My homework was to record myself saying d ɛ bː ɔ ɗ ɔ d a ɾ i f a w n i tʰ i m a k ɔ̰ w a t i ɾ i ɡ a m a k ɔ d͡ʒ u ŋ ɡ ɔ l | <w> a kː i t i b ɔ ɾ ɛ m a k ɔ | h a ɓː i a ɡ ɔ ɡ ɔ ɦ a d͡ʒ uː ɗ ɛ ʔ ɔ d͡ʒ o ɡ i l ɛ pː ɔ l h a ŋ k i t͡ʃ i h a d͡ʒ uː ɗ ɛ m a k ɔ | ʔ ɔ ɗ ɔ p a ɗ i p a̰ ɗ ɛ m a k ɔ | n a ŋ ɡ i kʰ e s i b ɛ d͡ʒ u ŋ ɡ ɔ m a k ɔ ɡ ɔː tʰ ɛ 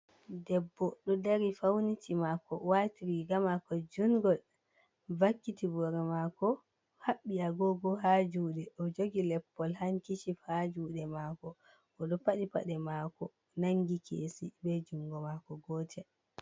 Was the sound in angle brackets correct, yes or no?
no